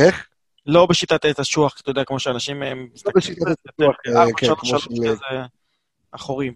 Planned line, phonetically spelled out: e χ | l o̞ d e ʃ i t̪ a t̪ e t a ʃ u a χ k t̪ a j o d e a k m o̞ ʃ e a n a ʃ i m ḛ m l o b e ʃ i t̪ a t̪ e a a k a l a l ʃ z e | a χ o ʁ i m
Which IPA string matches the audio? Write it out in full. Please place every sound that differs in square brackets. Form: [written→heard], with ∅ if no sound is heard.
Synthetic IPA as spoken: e χ | l o̞ [d→b] e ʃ i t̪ a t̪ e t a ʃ u a χ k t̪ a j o d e a k m o̞ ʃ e a n a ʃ i m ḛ m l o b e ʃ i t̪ a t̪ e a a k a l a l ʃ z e | a χ o ʁ i m